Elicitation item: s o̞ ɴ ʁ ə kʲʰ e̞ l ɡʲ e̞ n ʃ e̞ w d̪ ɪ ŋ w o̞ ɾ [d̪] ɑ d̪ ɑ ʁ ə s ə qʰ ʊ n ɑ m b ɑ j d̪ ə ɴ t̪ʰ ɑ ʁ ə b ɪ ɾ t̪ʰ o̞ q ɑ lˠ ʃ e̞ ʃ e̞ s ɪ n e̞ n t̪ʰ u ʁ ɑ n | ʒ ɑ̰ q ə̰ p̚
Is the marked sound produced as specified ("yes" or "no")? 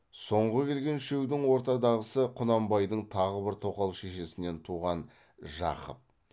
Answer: no